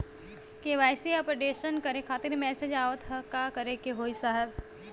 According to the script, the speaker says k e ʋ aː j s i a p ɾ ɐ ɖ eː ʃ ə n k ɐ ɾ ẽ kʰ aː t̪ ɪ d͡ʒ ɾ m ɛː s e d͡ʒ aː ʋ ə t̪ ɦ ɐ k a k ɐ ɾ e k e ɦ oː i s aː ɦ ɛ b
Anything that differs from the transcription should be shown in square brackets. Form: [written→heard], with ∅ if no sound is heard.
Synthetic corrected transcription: k e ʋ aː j s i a p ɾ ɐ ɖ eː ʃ ə n k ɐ ɾ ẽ kʰ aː t̪ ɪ [d͡ʒ→∅] ɾ m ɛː s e d͡ʒ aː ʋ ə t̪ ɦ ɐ k a k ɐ ɾ e k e ɦ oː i s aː ɦ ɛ b